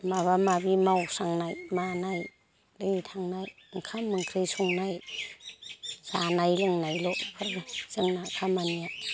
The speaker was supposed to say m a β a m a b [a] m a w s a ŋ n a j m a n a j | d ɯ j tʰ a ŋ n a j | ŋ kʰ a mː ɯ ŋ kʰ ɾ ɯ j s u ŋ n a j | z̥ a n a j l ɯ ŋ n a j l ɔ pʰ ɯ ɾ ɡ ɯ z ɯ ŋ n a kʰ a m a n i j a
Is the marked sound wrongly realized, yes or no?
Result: yes